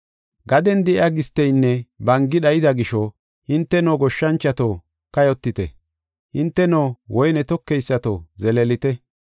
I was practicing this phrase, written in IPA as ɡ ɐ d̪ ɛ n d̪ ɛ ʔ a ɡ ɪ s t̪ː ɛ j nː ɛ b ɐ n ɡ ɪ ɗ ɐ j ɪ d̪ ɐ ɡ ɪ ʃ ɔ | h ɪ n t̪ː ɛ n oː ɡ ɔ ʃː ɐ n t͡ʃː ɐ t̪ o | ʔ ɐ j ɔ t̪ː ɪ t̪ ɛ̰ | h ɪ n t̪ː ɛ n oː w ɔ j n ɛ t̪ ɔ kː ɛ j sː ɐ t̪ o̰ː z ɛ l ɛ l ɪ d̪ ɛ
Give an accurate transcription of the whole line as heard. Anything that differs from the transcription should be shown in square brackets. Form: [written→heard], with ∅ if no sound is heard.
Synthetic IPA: ɡ ɐ d̪ ɛ n d̪ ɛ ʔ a ɡ ɪ s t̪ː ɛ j nː ɛ b ɐ [n→ŋ] ɡ ɪ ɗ ɐ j ɪ d̪ ɐ ɡ ɪ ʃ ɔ | h ɪ n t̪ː ɛ n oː ɡ ɔ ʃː ɐ n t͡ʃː ɐ t̪ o | [ʔ→k] ɐ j ɔ t̪ː ɪ t̪ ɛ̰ | h ɪ n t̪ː ɛ n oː w ɔ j n ɛ t̪ ɔ kː ɛ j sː ɐ t̪ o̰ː z ɛ l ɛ l ɪ [d̪→t̪] ɛ